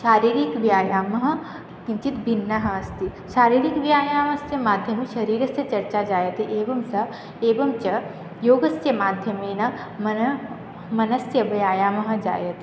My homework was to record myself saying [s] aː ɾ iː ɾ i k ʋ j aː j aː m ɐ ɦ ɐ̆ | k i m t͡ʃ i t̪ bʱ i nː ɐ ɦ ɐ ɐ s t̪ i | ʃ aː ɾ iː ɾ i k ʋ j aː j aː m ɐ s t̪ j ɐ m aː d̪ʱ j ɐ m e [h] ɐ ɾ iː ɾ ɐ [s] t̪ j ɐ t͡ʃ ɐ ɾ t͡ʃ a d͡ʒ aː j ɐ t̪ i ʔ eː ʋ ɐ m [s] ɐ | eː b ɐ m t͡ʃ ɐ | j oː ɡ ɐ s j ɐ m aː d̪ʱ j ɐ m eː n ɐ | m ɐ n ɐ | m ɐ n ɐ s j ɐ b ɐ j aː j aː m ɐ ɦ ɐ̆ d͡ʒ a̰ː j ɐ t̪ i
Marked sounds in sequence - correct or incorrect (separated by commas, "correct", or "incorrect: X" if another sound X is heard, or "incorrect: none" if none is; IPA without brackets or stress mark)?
incorrect: ʃ, incorrect: ʃ, correct, correct